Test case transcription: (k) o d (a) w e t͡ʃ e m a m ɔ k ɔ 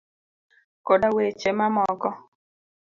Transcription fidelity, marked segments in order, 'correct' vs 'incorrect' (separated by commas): correct, correct